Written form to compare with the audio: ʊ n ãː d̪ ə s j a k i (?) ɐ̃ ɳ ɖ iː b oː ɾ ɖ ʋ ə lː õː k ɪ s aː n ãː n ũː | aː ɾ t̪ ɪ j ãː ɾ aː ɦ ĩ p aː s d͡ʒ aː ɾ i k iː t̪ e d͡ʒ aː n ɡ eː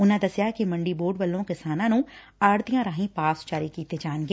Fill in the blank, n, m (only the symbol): m